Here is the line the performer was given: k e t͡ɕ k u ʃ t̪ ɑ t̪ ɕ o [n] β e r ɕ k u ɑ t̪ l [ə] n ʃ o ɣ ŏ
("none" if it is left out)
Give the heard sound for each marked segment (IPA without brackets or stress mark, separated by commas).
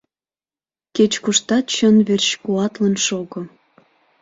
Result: n, ə